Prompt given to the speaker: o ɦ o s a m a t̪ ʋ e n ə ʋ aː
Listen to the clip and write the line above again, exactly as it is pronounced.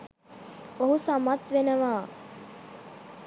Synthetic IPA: o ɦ u s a m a t̪ ʋ e n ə ʋ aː

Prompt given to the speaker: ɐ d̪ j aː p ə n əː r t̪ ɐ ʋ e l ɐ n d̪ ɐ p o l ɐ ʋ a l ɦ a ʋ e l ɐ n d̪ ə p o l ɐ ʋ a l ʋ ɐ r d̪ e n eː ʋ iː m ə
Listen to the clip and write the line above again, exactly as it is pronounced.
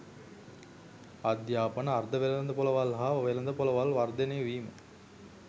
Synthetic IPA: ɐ d̪ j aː p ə n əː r d̪ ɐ ʋ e l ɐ n d̪ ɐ p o l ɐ ʋ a l ɦ a ʋ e l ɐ n d̪ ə p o l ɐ ʋ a l ʋ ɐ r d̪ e n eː ʋ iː m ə

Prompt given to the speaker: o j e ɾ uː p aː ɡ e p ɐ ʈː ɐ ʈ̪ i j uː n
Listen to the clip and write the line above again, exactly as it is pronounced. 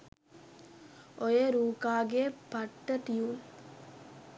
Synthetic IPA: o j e ɾ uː k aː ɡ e p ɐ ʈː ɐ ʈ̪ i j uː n

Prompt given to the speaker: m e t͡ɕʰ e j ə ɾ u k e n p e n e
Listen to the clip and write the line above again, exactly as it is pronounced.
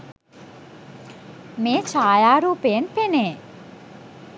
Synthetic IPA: m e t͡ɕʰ a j a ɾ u p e n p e n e

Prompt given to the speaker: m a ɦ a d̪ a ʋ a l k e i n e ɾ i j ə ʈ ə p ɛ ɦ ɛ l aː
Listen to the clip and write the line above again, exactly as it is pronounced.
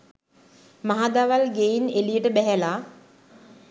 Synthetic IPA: m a ɦ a d̪ a ʋ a l ɡ e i n e l i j ə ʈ ə b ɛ ɦ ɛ l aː

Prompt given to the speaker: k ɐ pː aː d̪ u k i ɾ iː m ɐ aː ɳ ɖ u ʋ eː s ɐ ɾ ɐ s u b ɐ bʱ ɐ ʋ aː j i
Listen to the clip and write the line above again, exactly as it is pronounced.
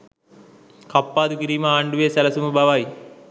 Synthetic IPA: k ɐ pː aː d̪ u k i ɾ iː m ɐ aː ɳ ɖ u ʋ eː s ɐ l ɐ s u m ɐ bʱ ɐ ʋ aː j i

